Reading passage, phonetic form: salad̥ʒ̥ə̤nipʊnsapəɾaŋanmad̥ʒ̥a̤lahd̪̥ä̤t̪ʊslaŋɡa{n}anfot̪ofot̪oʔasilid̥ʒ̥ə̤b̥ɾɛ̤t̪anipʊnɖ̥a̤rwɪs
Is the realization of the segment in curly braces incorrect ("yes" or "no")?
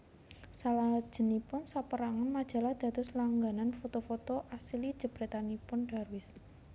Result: no